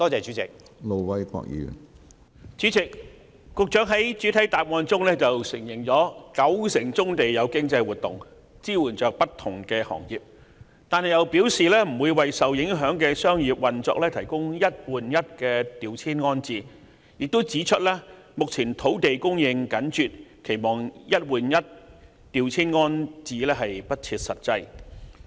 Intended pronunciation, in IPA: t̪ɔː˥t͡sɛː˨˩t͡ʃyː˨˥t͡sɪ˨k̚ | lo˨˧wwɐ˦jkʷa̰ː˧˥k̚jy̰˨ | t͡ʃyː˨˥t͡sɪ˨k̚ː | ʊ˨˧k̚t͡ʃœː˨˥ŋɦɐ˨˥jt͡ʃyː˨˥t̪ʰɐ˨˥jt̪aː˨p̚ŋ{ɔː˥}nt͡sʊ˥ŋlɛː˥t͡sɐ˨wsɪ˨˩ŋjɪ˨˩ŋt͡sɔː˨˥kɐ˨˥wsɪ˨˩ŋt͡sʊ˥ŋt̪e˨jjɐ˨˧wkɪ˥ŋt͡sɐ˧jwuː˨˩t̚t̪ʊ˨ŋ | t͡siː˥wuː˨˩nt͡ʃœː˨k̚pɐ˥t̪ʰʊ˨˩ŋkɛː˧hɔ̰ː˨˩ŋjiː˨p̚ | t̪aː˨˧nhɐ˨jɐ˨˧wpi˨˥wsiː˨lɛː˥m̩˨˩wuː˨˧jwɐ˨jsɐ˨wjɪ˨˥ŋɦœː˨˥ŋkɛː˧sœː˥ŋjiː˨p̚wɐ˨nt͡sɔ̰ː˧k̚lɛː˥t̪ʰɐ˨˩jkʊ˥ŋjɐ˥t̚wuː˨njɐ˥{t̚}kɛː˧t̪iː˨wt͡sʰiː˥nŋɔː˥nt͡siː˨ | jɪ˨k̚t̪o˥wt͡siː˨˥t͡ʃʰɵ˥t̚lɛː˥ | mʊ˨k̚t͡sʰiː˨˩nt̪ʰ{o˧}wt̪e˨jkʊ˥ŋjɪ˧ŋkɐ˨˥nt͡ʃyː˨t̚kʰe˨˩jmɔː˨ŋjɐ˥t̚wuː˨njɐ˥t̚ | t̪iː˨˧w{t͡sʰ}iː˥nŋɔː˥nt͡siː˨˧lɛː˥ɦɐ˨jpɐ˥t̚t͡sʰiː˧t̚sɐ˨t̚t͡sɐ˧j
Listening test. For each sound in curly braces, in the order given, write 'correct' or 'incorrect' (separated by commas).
incorrect, correct, incorrect, correct